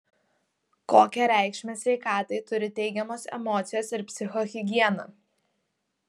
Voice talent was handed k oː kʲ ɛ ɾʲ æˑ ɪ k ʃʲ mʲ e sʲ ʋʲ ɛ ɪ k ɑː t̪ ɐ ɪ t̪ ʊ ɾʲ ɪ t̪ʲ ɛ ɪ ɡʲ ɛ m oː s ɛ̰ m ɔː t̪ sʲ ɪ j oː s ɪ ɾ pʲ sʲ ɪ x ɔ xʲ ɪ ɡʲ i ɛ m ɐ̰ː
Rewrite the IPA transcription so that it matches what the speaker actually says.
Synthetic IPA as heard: k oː kʲ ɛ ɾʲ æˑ ɪ k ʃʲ mʲ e sʲ ʋʲ ɛ ɪ k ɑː t̪ ɐ ɪ t̪ ʊ ɾʲ ɪ t̪ʲ ɛ ɪ ɡʲ ɛ m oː s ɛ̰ m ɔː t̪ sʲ ɪ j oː s ɪ ɾ pʲ sʲ ɪ x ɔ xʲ ɪ ɡʲ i ɛ n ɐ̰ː